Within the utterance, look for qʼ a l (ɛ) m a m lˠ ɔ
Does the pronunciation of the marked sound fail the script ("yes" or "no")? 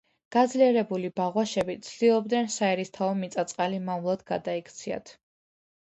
yes